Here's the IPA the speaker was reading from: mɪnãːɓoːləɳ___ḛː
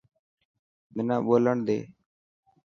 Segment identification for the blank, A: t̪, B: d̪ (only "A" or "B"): B